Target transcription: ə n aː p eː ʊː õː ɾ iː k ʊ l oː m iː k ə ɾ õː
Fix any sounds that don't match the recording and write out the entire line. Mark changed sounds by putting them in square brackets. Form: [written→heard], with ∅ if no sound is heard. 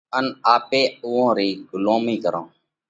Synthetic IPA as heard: ə n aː p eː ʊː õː ɾ iː [k→ɡ] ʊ l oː m iː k ə ɾ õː